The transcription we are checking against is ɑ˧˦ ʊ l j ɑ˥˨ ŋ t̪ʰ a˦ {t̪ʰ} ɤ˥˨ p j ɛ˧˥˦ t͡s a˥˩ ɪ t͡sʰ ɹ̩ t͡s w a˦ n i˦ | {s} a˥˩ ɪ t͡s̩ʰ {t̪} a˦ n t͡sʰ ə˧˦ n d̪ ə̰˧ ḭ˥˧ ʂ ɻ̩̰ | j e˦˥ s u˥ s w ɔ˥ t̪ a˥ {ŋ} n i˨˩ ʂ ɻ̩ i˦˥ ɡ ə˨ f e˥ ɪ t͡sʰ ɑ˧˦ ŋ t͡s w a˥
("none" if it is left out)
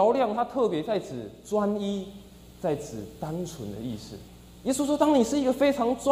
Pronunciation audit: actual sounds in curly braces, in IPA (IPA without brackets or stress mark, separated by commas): t̪ʰ, t͡s, t̪, ŋ